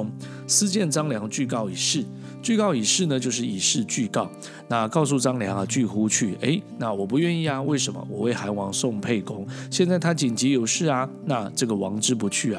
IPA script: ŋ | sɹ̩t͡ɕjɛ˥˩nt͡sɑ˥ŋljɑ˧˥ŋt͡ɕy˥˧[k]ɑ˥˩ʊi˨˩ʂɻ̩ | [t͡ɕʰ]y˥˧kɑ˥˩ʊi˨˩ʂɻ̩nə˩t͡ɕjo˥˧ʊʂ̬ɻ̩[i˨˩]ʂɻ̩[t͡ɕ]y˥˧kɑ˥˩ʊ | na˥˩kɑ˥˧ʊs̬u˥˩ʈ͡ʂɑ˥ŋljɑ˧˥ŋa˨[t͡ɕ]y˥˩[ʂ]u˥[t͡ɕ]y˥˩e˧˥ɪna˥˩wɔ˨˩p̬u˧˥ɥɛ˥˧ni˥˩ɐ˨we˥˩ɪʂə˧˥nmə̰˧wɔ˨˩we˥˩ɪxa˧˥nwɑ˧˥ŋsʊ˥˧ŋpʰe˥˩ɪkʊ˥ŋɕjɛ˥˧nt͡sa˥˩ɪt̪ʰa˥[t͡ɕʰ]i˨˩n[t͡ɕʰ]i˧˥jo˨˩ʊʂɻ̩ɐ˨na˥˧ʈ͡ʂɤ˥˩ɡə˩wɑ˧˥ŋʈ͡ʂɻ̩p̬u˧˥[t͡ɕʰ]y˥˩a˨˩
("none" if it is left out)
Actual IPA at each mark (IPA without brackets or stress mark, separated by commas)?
k, t͡ɕ, i˨˩, t͡ɕ, t͡ɕ, x, t͡ɕʰ, t͡ɕ, t͡ɕ, t͡ɕʰ